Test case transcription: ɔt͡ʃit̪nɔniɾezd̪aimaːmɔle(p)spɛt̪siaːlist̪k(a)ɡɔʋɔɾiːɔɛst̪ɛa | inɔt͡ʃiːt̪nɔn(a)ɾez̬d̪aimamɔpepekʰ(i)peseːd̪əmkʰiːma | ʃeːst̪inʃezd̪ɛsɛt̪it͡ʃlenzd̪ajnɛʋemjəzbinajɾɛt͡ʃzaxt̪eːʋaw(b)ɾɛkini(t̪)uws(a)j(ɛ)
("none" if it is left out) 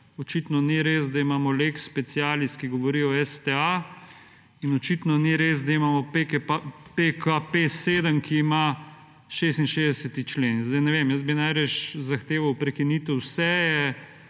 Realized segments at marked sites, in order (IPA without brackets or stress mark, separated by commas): k, i, i, a, p, t̪, ɛ, ɛ